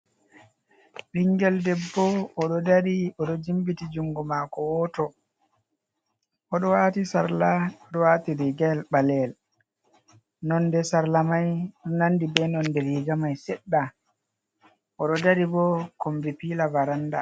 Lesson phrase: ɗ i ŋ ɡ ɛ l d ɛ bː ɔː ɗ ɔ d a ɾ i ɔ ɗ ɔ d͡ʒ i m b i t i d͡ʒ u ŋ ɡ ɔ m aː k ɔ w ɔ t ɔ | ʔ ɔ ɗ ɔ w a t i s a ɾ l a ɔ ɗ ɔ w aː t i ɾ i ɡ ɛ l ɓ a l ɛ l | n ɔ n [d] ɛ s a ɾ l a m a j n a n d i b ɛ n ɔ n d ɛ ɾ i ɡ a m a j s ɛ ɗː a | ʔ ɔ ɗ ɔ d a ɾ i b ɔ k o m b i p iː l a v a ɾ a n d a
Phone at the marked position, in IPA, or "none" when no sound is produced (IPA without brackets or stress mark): d